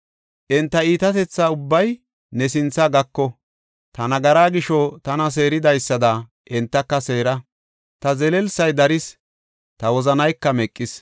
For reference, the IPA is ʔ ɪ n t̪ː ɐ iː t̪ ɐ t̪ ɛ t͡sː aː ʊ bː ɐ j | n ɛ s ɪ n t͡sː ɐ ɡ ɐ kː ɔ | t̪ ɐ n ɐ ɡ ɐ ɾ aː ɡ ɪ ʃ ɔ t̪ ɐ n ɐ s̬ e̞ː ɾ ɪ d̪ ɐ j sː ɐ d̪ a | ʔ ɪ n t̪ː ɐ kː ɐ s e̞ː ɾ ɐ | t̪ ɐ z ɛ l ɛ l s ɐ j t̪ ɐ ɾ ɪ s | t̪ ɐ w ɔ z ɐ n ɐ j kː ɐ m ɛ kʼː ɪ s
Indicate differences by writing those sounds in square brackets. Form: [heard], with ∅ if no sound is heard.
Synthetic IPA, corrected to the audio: ʔ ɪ n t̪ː ɐ iː t̪ ɐ t̪ ɛ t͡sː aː ʊ bː ɐ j | n ɛ s ɪ n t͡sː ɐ ɡ ɐ kː ɔ | t̪ ɐ n ɐ ɡ ɐ ɾ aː ɡ ɪ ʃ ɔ t̪ ɐ n ɐ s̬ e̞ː ɾ ɪ d̪ ɐ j sː ɐ d̪ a | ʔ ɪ n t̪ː ɐ kː ɐ s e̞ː ɾ ɐ | t̪ ɐ z ɛ l ɛ l s ɐ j [d̪] ɐ ɾ ɪ s | t̪ ɐ w ɔ z ɐ n ɐ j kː ɐ m ɛ kʼː ɪ s